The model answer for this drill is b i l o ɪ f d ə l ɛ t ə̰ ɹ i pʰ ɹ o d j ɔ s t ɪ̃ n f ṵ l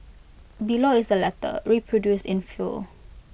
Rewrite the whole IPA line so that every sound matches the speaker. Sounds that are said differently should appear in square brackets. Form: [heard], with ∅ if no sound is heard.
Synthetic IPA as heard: b i l o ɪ [s] d ə l ɛ t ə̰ ɹ i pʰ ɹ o d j [u] s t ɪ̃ n f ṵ l